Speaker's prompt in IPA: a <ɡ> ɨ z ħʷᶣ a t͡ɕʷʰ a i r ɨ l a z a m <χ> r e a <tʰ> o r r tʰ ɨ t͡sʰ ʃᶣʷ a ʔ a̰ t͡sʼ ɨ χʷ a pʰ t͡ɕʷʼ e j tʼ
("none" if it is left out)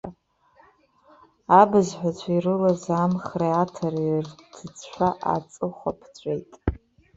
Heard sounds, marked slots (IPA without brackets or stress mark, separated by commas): b, χ, tʰ